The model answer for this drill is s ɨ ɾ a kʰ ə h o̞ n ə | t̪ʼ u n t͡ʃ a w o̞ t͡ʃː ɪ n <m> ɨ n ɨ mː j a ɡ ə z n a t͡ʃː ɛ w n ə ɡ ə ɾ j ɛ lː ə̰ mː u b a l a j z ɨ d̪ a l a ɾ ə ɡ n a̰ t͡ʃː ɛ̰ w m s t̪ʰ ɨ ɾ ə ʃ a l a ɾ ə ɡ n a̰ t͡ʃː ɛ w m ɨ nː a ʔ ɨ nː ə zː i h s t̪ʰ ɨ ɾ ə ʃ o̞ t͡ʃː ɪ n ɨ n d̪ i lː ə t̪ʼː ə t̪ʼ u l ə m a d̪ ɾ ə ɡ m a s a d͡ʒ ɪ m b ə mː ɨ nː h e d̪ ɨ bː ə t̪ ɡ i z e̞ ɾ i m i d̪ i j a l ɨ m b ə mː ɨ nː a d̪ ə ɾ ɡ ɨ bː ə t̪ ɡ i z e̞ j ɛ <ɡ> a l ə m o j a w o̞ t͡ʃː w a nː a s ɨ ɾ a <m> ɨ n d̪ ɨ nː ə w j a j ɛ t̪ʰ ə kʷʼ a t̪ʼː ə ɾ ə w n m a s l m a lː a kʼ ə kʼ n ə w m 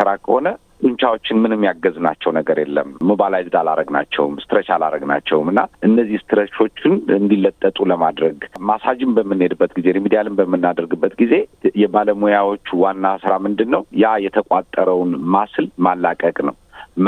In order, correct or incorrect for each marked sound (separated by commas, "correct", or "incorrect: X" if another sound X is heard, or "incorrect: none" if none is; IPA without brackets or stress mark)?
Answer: correct, incorrect: b, correct